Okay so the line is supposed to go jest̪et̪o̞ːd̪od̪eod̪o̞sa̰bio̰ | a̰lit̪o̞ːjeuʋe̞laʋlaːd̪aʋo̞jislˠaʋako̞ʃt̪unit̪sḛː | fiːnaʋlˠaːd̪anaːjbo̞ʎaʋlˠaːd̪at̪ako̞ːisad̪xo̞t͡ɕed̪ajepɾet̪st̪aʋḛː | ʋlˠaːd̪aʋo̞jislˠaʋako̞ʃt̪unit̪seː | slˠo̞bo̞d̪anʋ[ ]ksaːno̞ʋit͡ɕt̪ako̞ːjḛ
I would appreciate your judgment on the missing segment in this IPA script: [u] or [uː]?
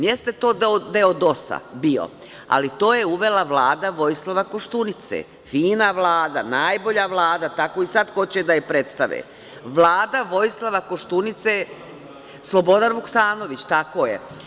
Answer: u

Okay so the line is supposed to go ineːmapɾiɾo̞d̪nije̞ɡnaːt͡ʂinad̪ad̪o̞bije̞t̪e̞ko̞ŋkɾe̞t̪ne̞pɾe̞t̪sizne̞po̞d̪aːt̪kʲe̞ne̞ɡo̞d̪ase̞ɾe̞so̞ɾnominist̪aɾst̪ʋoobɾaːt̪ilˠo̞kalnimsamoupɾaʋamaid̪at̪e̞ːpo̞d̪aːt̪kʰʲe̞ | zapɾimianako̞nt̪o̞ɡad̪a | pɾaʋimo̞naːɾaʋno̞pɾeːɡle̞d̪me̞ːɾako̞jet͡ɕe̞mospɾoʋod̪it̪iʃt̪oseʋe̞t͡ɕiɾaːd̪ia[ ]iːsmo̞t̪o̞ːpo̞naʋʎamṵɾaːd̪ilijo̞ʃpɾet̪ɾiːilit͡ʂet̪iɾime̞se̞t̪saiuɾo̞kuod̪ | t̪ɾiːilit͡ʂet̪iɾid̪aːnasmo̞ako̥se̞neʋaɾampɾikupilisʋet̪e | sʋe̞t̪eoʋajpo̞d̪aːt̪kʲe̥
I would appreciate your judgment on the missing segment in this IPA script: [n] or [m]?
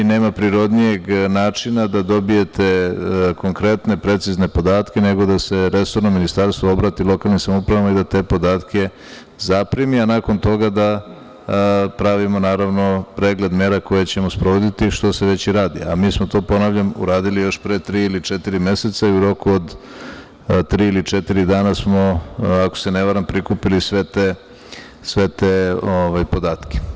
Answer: m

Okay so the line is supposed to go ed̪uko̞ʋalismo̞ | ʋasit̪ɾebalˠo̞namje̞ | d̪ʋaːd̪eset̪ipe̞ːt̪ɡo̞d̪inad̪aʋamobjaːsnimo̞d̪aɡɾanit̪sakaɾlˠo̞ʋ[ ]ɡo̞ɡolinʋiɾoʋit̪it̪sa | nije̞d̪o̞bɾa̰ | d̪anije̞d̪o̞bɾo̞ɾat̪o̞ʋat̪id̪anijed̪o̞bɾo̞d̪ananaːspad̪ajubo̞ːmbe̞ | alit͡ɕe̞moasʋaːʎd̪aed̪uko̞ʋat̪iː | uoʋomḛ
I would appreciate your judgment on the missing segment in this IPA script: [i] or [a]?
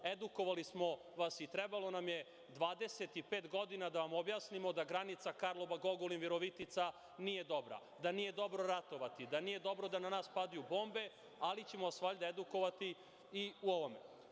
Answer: a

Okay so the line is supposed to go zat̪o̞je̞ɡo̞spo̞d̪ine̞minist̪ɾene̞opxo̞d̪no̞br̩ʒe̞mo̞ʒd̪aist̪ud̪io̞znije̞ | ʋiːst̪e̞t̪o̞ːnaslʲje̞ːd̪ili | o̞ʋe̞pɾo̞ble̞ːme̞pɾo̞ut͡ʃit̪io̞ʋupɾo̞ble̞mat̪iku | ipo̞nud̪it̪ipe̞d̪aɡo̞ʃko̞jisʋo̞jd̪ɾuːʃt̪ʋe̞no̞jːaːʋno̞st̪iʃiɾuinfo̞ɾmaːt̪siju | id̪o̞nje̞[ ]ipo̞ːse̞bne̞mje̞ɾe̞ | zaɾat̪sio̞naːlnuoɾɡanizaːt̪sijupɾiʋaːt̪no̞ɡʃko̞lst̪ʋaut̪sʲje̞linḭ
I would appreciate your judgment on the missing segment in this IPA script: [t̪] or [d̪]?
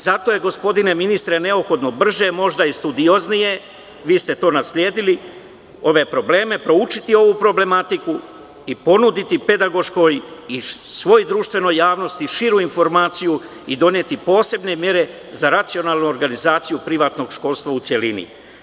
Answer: t̪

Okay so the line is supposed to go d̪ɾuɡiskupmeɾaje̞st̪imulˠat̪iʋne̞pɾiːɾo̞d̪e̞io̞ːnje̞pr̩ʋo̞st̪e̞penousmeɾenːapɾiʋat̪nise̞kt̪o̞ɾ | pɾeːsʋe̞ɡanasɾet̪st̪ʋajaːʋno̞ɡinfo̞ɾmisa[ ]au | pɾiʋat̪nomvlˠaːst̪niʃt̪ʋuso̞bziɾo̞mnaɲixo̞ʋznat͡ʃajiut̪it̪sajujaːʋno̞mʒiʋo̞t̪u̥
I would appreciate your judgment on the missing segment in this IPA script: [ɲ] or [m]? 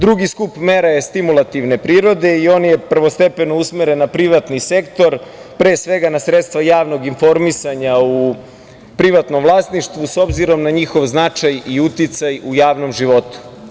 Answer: ɲ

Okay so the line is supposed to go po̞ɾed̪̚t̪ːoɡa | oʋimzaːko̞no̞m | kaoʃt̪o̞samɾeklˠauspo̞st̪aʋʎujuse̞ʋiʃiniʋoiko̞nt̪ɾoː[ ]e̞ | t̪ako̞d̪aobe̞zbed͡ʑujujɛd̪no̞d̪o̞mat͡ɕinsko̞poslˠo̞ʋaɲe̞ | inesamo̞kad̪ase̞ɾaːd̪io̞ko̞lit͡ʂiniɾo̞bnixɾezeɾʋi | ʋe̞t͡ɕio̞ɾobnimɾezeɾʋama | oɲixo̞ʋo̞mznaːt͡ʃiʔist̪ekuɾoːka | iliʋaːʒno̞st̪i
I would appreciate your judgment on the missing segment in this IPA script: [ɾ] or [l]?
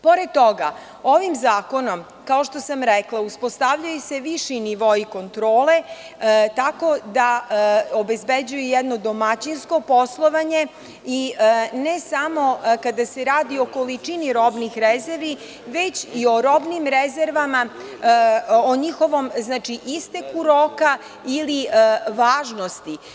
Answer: l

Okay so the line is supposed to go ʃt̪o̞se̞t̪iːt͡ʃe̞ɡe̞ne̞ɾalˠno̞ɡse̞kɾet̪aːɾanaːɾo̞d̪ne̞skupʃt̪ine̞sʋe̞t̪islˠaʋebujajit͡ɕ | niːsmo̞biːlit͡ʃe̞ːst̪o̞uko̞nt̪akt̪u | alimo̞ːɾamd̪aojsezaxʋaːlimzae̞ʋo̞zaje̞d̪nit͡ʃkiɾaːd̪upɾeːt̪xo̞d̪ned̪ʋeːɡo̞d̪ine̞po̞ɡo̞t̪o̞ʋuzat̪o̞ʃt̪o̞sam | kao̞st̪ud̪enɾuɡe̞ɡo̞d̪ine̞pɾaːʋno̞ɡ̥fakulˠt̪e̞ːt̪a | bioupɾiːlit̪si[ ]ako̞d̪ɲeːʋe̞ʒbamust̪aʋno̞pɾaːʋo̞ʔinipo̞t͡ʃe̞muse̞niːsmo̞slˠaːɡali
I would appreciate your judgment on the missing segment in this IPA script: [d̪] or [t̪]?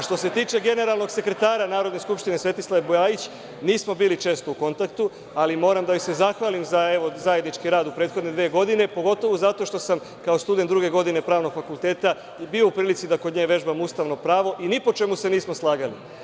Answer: d̪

